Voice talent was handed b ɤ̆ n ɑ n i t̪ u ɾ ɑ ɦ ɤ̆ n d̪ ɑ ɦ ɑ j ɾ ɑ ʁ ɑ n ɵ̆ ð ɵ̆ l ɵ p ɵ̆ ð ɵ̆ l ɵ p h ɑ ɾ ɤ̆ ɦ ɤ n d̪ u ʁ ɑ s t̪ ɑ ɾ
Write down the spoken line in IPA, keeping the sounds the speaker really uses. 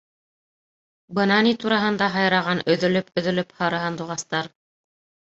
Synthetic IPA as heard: b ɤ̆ n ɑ n i t̪ u ɾ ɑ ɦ ɤ̆ n d̪ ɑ ɦ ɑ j ɾ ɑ ʁ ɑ n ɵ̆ ð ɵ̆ l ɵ p ɵ̆ ð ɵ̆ l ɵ p h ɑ ɾ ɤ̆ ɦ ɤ n d̪ u ʁ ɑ s t̪ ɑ ɾ